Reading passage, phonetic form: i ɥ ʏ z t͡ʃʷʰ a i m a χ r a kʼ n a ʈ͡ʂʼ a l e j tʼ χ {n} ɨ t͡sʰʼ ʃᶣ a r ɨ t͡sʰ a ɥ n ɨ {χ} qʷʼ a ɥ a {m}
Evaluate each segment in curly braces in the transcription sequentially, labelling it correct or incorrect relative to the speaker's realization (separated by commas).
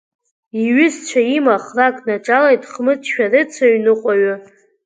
incorrect, incorrect, incorrect